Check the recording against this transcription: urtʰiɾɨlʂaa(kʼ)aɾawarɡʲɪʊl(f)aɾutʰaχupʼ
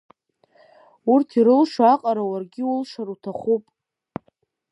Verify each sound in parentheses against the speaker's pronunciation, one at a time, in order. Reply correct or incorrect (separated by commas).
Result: incorrect, incorrect